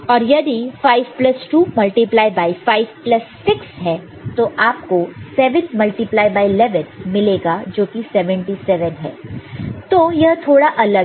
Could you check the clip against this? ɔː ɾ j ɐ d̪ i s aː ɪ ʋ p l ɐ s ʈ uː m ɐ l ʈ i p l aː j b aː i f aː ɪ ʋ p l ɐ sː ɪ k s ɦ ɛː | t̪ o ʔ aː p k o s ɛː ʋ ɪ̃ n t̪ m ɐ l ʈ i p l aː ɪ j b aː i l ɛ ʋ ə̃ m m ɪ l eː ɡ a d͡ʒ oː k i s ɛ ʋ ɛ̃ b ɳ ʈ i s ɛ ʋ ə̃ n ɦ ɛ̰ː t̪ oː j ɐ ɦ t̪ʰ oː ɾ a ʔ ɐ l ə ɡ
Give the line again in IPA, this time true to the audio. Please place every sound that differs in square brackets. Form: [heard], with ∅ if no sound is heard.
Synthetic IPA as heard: ɔː ɾ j ɐ d̪ i [f] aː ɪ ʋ p l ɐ s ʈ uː m ɐ l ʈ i p l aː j b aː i f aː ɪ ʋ p l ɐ sː ɪ k s ɦ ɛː | t̪ o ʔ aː p k o s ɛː ʋ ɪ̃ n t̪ m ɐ l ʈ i p l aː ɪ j b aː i l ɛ ʋ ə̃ [n] m ɪ l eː ɡ a d͡ʒ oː k i s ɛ ʋ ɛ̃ [∅] ɳ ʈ i s ɛ ʋ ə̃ n ɦ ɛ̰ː t̪ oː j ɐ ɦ t̪ʰ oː [ɽ] a ʔ ɐ l ə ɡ

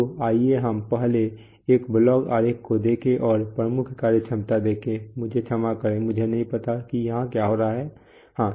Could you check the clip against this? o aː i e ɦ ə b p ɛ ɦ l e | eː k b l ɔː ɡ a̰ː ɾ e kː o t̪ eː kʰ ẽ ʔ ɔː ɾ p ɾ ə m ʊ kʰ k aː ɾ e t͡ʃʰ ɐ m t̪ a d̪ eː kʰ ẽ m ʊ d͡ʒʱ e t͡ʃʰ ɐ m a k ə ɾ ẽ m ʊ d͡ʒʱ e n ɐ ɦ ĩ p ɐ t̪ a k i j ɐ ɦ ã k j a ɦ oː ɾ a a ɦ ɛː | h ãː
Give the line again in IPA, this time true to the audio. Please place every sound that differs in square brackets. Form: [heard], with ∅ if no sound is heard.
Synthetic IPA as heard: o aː i e ɦ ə [m] p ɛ ɦ l e | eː k b l ɔː ɡ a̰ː ɾ e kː o [d̪] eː kʰ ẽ ʔ ɔː ɾ p ɾ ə m ʊ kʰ k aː ɾ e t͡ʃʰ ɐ m t̪ a d̪ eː kʰ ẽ m ʊ d͡ʒʱ e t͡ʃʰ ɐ m a k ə ɾ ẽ m ʊ d͡ʒʱ e n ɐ ɦ ĩ p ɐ t̪ a k i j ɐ ɦ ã k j a ɦ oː ɾ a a ɦ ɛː | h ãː

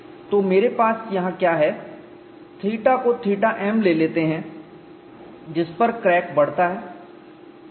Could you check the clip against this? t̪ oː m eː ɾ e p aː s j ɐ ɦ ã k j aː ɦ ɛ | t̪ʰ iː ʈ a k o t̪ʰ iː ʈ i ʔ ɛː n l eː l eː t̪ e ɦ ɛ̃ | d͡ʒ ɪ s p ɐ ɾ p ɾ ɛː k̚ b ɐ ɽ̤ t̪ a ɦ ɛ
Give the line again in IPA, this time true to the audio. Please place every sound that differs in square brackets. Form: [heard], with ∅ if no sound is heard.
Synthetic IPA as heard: t̪ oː m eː ɾ e p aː s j ɐ ɦ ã k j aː ɦ ɛ | t̪ʰ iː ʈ a k o t̪ʰ iː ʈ [a] ʔ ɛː [m] l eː l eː t̪ e ɦ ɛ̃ | d͡ʒ ɪ s p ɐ ɾ [k] ɾ ɛː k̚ b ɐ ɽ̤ t̪ a ɦ [ɛː]

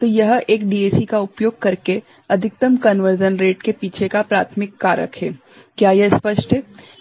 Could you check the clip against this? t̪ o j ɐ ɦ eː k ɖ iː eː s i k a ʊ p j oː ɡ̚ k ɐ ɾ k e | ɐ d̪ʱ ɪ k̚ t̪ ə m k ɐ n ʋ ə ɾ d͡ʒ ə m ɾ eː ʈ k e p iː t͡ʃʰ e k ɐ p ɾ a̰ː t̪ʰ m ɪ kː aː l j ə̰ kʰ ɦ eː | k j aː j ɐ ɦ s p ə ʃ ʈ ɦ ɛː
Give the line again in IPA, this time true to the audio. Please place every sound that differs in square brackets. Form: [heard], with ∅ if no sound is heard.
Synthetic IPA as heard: t̪ o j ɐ ɦ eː k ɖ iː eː s i k a ʊ p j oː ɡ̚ k ɐ ɾ k e | ɐ d̪ʱ ɪ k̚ t̪ ə m k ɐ n ʋ ə ɾ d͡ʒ ə [n] ɾ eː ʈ k e p iː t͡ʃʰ e k [a] p ɾ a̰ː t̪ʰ m ɪ kː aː [ɾ] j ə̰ kʰ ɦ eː | k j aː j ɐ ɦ s p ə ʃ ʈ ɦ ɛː

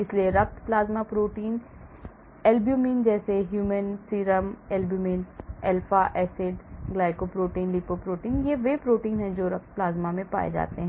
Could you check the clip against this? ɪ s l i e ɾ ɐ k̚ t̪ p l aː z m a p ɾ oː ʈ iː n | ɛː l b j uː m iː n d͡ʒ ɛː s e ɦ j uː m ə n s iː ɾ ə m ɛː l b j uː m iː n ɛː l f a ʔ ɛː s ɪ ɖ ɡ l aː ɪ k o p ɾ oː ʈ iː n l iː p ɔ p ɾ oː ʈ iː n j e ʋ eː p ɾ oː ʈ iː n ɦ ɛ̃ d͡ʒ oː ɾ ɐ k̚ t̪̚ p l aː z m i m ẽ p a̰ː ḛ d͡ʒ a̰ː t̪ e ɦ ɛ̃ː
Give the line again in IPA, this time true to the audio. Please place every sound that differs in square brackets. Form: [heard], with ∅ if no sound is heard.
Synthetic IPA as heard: ɪ s l i e ɾ ɐ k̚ t̪ p l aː z m a p ɾ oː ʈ iː n | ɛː l b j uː m iː n d͡ʒ ɛː s e ɦ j uː m ə n s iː ɾ ə m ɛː l b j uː m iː n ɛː l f a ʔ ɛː s ɪ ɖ ɡ l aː ɪ k o p ɾ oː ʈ iː n l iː p [o] p ɾ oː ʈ iː n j e ʋ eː p ɾ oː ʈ iː n ɦ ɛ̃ d͡ʒ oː ɾ ɐ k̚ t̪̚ p l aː z m [a] m ẽ p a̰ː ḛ d͡ʒ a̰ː t̪ e ɦ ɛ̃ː

